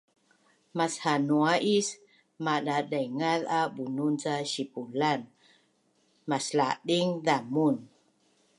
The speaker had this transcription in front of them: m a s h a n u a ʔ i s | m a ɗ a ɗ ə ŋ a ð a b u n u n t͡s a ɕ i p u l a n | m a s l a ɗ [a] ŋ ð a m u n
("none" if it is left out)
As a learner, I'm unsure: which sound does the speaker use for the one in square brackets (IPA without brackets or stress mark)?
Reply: i